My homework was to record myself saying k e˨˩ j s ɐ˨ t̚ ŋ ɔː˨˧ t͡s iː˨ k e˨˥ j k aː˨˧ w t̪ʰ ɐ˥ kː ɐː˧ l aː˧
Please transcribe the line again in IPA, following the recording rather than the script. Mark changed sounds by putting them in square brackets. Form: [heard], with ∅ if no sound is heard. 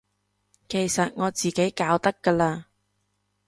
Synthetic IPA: k e˨˩ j s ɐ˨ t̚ ŋ ɔː˨˧ t͡s iː˨ k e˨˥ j k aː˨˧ w [t̪] ɐ˥ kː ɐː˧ l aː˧